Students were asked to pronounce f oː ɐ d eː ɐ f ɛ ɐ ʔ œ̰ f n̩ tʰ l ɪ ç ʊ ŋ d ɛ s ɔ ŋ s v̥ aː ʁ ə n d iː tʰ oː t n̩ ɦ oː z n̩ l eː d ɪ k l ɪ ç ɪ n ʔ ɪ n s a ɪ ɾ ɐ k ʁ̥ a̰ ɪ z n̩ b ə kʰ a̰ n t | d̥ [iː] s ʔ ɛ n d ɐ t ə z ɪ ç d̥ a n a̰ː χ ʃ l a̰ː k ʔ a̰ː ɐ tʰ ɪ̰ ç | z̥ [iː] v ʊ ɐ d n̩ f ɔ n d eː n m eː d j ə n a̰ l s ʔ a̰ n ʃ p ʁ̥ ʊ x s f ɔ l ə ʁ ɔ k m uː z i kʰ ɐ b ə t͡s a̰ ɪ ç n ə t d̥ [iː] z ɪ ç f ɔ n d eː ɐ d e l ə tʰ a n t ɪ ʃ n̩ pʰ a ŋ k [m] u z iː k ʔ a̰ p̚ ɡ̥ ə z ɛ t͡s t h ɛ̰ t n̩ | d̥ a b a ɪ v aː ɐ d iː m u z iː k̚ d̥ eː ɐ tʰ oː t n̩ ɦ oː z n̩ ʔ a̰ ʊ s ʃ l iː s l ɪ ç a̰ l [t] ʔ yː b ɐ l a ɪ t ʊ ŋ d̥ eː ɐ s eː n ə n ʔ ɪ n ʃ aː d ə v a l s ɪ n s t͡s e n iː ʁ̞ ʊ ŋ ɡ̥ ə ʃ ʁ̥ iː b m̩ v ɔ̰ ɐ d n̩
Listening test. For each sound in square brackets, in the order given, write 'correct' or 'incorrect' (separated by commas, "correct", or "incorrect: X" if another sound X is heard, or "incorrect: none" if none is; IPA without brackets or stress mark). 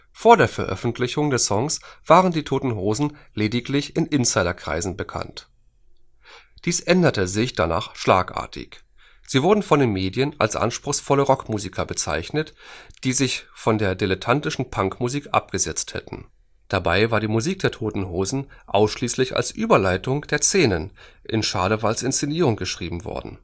correct, correct, correct, correct, incorrect: s